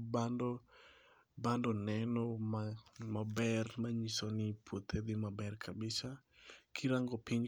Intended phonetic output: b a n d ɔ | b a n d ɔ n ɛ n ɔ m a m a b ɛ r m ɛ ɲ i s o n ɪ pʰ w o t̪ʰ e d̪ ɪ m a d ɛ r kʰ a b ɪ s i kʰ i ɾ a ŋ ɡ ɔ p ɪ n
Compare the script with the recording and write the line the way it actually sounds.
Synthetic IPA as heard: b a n d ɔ | b a n d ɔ n ɛ n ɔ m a m a b ɛ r m a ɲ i s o n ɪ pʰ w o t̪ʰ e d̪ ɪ m a b ɛ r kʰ a b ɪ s a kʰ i ɾ a ŋ ɡ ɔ p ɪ ɲ